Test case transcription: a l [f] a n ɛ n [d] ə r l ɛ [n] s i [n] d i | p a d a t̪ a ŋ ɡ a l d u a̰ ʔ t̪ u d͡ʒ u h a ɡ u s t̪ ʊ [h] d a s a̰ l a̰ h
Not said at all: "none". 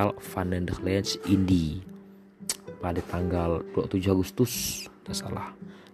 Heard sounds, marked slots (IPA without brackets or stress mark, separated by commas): f, d, n, n, s